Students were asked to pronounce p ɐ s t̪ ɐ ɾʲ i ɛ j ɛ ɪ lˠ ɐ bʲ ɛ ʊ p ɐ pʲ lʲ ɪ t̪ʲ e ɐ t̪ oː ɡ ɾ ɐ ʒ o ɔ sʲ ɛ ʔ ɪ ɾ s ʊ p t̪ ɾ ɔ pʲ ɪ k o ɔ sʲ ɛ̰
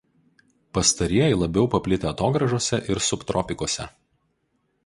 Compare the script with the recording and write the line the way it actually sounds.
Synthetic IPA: p ɐ s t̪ ɐ ɾʲ i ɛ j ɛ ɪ lˠ ɐ bʲ ɛ ʊ p ɐ pʲ lʲ ɪ t̪ʲ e ɐ t̪ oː ɡ ɾ ɐ ʒ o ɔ sʲ ɛ ʔ ɪ ɾ s ʊ p t̪ ɾ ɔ pʲ ɪ k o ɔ sʲ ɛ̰